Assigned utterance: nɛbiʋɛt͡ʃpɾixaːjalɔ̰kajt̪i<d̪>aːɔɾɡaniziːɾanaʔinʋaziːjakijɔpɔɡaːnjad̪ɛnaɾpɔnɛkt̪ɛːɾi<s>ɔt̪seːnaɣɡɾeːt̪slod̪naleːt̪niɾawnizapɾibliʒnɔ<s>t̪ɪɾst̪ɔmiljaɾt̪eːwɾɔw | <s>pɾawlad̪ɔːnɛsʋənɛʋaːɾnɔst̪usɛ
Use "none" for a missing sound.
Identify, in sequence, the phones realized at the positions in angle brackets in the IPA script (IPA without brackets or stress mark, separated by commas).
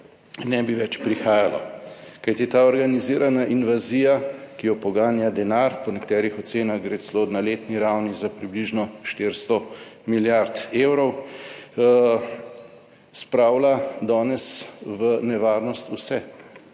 t̪, x, ʃ, s